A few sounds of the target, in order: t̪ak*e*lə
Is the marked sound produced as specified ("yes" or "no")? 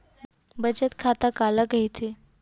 no